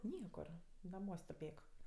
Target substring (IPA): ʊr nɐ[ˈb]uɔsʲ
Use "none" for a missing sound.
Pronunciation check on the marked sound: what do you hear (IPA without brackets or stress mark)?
m